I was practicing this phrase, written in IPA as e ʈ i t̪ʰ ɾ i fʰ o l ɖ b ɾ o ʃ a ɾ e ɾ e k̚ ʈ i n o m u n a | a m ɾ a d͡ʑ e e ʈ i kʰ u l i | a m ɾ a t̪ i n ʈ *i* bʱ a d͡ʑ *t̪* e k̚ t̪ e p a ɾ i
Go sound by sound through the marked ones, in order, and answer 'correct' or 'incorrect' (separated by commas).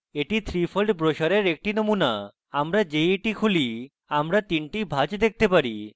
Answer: correct, incorrect